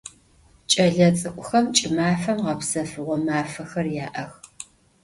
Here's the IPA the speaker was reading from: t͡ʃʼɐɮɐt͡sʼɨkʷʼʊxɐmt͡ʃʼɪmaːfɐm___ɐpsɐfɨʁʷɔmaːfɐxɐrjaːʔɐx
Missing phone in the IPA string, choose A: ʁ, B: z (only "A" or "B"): A